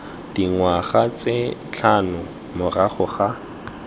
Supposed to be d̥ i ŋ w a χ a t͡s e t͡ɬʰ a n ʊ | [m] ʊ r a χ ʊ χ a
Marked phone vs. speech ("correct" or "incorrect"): correct